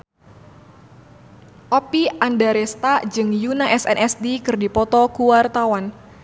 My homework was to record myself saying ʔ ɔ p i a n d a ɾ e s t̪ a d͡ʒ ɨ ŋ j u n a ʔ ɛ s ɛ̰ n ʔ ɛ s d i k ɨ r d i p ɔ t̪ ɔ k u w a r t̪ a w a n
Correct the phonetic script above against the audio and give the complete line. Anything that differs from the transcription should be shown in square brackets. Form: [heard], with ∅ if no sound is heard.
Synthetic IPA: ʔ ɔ p i a n d a ɾ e s t̪ a d͡ʒ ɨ ŋ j u n a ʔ ɛ s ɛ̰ n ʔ ɛ s d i k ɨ r d i p ɔ t̪ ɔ k u w a r t̪ a w a n